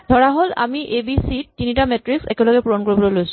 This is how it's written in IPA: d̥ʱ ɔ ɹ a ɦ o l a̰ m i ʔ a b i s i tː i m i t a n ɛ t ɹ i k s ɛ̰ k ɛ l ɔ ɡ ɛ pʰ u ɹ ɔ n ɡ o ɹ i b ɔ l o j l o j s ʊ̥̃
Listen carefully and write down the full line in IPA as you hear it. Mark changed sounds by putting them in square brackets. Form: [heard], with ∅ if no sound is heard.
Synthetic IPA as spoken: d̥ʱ ɔ ɹ a ɦ o l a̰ m i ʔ [e] b i s i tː i [n] i t a [m] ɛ t ɹ i k s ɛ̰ k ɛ l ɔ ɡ ɛ [p] u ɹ ɔ n [k] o ɹ i b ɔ l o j l o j s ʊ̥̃

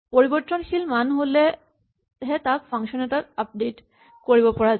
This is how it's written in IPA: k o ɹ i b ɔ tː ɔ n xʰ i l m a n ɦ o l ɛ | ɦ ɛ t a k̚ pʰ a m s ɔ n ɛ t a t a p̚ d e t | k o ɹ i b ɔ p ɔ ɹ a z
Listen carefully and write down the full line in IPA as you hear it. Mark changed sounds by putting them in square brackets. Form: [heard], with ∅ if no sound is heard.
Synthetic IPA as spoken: [p] o ɹ i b ɔ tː ɔ n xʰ i l m a n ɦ o l ɛ | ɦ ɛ t a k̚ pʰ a [ŋ] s ɔ n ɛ t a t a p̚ d e t | k o ɹ i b ɔ p ɔ ɹ a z

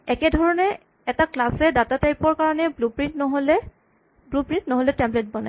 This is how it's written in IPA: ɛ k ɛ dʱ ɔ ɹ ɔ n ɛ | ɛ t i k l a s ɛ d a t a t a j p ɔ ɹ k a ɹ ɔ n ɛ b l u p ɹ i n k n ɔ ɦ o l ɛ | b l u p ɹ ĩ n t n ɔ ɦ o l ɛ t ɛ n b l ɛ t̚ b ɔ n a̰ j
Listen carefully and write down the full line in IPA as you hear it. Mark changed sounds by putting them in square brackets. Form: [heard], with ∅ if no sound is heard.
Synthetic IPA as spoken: ɛ k ɛ dʱ ɔ ɹ ɔ n ɛ | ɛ t [a] k l a s ɛ d a t a t a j p ɔ ɹ k a ɹ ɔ n ɛ b l u p ɹ i n [t] n ɔ ɦ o l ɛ | b l u p ɹ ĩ n t n ɔ ɦ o l ɛ t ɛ [m] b l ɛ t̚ b ɔ n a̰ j

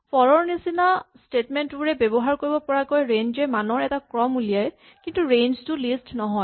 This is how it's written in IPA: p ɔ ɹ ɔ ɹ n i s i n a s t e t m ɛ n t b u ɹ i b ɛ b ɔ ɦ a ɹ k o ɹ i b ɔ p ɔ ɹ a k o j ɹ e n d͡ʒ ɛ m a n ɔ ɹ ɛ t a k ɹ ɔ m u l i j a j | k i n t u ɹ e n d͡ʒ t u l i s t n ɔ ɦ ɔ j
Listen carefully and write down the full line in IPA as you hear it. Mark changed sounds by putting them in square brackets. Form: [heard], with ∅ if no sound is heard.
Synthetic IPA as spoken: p ɔ ɹ ɔ ɹ n i s i n a s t e t m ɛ n t b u ɹ [ɛ] b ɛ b ɔ ɦ a ɹ k o ɹ i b ɔ p ɔ ɹ a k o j ɹ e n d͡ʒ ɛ m a n ɔ ɹ ɛ t a k ɹ ɔ m u l i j a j | k i n t u ɹ e n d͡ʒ t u l i s t n ɔ ɦ ɔ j

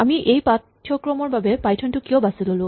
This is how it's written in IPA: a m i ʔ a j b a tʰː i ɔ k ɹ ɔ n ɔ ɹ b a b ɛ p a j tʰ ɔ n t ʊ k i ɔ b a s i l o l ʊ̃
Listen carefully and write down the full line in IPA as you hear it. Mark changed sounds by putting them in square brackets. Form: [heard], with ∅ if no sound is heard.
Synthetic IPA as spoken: a m i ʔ [e] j [p] a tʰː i ɔ k ɹ ɔ [m] ɔ ɹ b a b ɛ p a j tʰ ɔ n t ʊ k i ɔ b a s i l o l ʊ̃

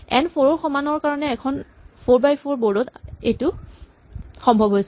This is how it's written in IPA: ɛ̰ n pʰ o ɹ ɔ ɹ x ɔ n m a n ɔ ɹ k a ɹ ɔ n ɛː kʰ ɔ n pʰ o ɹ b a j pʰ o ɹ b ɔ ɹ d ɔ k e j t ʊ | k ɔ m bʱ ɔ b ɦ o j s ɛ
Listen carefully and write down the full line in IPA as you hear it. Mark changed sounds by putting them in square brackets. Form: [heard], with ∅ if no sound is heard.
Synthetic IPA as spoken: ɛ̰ n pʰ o ɹ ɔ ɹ x ɔ [∅] m a n ɔ ɹ k a ɹ ɔ n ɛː kʰ ɔ n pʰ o ɹ b a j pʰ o ɹ b ɔ ɹ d ɔ [t] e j t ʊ | [x] ɔ m bʱ ɔ b ɦ o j s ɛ

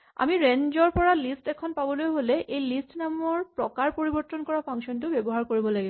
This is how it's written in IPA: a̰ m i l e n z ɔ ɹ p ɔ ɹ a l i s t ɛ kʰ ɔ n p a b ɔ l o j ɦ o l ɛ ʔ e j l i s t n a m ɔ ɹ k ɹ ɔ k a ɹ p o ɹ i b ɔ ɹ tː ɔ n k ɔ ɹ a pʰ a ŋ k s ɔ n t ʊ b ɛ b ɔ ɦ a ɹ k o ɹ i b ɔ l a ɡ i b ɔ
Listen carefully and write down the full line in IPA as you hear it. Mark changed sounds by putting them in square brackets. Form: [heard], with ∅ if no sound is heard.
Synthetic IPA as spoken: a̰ m i [ɹ] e n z ɔ ɹ p ɔ ɹ a l i s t ɛ kʰ ɔ n p a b ɔ l o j ɦ o l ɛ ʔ e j l i s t n a m ɔ ɹ [p] ɹ ɔ k a ɹ p o ɹ i b ɔ ɹ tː ɔ n k ɔ ɹ a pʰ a ŋ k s ɔ n t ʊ b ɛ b ɔ ɦ a ɹ k o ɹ i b ɔ l a ɡ i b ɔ

